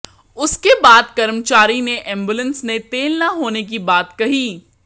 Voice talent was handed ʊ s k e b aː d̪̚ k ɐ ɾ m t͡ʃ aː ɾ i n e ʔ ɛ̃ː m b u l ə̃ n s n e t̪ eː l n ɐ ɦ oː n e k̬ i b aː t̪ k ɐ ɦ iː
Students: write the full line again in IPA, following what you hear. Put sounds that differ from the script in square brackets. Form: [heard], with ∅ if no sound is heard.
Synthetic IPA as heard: ʊ s k e b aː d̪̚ k ɐ ɾ m t͡ʃ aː ɾ i n e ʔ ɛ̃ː m b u l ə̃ n s n e t̪ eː l n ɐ ɦ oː n e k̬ i b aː t̪ k ɐ ɦ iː